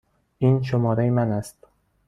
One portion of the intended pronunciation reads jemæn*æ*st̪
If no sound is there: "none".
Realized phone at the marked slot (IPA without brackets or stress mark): æ